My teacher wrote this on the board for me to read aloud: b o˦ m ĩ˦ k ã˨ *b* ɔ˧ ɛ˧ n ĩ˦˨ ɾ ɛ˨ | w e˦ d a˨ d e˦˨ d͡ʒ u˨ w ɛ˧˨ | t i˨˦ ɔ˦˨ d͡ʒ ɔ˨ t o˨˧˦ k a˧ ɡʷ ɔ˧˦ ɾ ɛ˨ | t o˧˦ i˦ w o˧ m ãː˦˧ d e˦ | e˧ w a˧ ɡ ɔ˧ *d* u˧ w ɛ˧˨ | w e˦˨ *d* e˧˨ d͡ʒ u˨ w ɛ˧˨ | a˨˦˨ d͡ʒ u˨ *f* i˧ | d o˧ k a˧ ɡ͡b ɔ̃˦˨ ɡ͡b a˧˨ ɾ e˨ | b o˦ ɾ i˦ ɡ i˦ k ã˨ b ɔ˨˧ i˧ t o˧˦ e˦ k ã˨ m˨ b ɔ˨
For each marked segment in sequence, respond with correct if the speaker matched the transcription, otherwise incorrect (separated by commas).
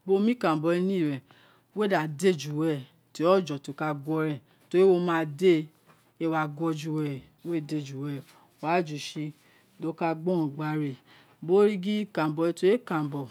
correct, incorrect, correct, incorrect